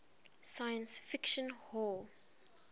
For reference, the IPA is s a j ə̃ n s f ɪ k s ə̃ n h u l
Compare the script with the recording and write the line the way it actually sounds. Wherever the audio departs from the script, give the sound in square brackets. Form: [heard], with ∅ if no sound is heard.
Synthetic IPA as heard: s a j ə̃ n s f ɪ k [ʃ] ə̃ n h [ɔ] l

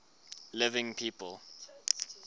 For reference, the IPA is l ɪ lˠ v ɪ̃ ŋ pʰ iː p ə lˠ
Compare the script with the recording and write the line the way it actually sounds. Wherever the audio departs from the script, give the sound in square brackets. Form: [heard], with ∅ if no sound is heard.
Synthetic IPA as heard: l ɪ [∅] v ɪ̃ ŋ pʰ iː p ə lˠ

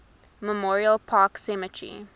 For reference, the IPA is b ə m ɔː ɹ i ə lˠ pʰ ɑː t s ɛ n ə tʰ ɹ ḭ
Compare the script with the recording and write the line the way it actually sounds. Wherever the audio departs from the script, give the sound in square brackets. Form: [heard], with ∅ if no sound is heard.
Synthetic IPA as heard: [m] ə m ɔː ɹ i ə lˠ pʰ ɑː [k] s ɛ [m] ə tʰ ɹ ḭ

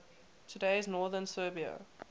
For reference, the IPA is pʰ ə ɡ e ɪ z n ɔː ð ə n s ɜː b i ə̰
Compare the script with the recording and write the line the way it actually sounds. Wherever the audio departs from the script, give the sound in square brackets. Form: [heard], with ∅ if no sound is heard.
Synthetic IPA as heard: [tʰ] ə [d] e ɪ z n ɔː ð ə n s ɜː b i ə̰

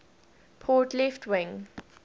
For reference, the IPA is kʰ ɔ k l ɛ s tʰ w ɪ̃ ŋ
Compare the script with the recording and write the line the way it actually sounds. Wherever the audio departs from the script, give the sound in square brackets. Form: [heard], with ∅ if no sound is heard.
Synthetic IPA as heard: [pʰ] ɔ [t] l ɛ [f] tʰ w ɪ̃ ŋ

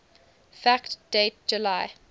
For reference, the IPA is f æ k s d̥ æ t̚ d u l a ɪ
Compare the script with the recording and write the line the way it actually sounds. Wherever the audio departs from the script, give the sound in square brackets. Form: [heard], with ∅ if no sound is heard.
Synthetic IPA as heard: f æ k [t] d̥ [e] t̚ [d͡ʒ] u l a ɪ

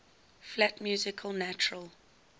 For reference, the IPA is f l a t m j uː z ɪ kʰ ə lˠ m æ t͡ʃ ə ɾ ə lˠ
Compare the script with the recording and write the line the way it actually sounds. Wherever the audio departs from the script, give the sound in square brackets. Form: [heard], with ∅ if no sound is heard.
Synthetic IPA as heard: f l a t m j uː z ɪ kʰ ə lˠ [n] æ t͡ʃ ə [ɹ] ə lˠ

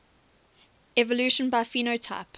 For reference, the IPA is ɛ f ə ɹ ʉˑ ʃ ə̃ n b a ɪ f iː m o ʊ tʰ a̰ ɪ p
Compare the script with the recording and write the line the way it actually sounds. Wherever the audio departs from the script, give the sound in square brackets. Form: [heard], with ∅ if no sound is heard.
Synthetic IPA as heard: ɛ [v] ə [l] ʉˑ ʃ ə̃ n b a ɪ f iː [n] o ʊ tʰ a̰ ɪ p

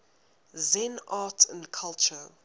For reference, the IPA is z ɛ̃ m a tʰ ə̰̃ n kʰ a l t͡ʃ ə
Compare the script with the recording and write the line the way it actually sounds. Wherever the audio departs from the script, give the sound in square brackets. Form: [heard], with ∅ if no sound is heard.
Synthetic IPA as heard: z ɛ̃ [n] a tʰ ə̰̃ n kʰ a l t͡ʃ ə

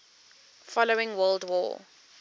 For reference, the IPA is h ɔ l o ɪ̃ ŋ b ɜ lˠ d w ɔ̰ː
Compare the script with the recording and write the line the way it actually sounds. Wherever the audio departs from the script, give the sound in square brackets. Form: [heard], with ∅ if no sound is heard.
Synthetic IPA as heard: [f] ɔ l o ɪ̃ ŋ [w] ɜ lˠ d w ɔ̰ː

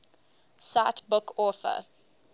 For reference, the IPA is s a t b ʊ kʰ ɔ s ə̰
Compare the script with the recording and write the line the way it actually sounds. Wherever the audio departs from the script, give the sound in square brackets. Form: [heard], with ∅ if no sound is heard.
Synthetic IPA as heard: s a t b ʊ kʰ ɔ [θ] ə̰

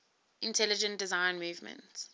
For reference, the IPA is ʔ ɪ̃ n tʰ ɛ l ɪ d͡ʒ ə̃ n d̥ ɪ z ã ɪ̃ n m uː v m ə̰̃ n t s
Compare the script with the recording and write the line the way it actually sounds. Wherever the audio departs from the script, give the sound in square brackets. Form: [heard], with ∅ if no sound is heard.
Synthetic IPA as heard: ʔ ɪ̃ n tʰ ɛ l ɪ d͡ʒ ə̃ n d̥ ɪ z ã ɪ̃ n m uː v m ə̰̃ n t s

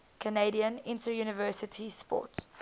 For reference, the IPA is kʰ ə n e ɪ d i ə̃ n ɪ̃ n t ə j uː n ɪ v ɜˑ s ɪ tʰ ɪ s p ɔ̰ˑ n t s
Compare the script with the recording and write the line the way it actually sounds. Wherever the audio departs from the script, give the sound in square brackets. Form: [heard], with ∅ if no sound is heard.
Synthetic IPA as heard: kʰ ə n e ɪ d i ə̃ n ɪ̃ n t ə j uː n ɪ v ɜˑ s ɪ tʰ [i] s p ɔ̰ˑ [∅] t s

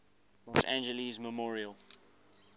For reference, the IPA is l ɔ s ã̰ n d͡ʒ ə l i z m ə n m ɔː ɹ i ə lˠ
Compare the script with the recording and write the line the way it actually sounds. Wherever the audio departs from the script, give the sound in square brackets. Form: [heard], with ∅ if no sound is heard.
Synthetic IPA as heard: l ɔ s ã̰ n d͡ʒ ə l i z m ə [∅] m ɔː ɹ i ə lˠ

